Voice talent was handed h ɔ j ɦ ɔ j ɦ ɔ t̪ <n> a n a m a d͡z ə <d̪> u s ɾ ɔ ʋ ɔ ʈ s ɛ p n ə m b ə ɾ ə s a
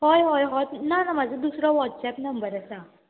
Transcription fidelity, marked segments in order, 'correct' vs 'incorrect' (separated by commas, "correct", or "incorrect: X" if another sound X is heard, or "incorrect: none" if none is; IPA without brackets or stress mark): correct, correct